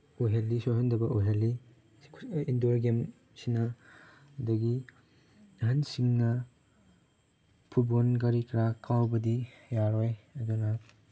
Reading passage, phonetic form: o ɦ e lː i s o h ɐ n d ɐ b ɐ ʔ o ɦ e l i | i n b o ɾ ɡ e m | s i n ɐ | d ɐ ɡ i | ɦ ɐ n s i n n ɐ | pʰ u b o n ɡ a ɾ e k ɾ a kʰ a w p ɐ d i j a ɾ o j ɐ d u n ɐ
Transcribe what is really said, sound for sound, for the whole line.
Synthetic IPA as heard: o ɦ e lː i s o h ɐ n d ɐ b ɐ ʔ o ɦ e l i | i n d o ɾ ɡ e m | s i n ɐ | d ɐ ɡ i | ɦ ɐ n s i ŋ n ɐ | pʰ u b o n ɡ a ɾ i k ɾ a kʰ a w b ɐ d i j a ɾ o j ɐ d u n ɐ